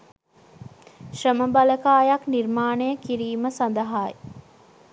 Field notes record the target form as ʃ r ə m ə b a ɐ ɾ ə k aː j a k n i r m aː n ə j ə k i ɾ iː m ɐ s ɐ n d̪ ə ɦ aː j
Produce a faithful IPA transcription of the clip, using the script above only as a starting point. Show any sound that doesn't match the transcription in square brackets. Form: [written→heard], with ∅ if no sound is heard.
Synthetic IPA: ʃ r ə m ə b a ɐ [ɾ→l] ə k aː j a k n i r m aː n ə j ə k i ɾ iː m [ɐ→ə] s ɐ n d̪ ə ɦ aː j